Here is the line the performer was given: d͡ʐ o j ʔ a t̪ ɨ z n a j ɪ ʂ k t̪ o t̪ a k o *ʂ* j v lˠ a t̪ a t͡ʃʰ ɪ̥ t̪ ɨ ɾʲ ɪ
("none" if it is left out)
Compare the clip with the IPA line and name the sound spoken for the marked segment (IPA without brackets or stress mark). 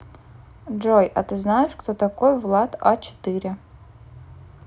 none